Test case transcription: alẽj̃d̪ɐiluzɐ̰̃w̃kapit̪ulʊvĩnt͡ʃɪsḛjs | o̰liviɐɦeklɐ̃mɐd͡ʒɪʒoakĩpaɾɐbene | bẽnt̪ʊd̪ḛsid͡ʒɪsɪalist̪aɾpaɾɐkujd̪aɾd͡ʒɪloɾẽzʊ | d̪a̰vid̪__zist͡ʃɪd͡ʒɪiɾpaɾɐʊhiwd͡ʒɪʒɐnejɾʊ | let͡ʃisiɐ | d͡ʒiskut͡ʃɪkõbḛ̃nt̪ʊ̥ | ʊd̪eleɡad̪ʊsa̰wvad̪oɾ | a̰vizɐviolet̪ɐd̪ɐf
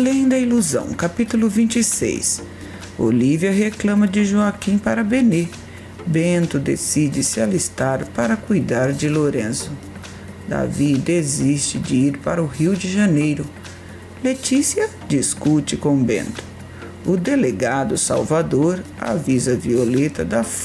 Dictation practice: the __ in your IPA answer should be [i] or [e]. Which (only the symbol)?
e